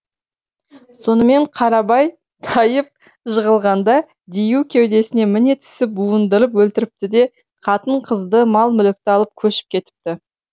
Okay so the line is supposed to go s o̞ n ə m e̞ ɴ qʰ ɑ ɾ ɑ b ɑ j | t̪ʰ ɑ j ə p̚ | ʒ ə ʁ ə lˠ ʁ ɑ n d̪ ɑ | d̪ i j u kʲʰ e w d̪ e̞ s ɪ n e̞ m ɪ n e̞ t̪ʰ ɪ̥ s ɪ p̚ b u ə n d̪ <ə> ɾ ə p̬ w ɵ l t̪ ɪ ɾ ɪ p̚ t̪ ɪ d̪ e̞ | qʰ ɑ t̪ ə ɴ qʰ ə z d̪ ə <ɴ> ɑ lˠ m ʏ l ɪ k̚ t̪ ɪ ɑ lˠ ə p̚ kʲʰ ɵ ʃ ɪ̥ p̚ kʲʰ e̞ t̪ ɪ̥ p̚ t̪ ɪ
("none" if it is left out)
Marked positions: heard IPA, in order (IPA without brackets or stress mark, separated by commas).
ə, m